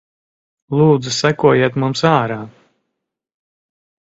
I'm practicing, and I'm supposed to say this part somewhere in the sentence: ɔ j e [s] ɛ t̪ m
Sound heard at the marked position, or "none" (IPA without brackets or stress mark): none